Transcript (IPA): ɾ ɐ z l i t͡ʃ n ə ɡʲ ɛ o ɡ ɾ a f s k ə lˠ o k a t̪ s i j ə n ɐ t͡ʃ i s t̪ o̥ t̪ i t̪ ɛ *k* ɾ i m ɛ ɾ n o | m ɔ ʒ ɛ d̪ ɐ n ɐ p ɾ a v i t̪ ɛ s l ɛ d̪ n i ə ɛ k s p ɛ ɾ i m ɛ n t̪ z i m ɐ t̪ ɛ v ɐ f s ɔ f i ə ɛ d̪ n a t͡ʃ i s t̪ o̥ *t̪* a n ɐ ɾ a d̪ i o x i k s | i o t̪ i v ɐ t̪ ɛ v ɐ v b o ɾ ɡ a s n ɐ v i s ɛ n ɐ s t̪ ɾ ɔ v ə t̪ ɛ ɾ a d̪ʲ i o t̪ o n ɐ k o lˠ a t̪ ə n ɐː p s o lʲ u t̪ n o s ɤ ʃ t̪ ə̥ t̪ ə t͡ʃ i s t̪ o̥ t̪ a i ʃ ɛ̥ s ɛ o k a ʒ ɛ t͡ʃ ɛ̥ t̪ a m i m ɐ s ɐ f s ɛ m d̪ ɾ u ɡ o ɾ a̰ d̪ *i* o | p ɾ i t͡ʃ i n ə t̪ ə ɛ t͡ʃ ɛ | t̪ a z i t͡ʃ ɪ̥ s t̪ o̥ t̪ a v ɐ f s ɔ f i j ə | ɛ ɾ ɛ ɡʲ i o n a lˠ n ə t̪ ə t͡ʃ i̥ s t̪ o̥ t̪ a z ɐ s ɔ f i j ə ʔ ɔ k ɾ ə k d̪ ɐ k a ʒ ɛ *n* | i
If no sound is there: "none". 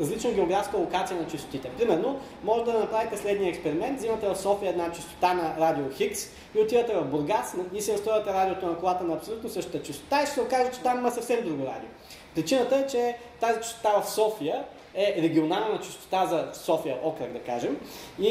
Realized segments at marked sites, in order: p, t̪, i, m

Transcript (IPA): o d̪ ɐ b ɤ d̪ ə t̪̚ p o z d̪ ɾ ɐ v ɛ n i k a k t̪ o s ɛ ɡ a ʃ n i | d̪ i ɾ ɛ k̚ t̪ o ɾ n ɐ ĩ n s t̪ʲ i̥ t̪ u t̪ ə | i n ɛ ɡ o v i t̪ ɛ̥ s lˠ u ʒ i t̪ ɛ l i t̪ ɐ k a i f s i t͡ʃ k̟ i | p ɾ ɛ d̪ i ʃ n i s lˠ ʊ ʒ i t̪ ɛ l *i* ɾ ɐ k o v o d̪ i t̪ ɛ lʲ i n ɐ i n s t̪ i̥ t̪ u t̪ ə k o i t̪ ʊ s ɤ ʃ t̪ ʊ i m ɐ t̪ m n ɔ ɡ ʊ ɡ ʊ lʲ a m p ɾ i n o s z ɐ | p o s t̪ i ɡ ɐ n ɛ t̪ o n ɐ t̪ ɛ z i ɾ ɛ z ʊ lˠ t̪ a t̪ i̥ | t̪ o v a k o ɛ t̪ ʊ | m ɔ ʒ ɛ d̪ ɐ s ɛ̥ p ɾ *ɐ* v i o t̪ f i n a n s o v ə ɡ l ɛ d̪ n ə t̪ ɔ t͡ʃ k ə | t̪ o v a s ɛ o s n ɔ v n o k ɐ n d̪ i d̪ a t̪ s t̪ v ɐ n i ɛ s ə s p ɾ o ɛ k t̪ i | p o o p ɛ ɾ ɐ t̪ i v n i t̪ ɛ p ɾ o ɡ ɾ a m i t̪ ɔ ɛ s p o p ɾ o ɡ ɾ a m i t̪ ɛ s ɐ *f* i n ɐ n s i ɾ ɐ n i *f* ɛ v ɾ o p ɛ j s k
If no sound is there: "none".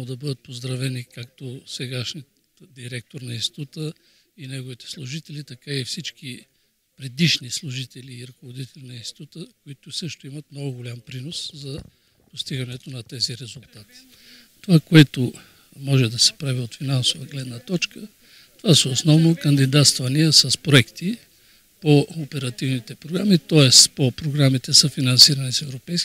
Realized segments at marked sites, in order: iː, a, f, s

